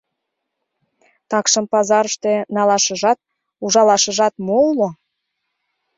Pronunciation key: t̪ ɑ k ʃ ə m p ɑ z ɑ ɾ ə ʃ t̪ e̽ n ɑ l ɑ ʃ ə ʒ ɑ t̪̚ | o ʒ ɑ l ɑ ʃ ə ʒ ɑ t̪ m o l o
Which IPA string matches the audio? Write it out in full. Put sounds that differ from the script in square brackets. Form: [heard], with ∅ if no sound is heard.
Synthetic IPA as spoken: t̪ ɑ k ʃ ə m p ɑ z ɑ ɾ ə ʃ t̪ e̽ n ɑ l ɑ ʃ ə ʒ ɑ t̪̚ | [u] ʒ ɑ l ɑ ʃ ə ʒ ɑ t̪ m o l o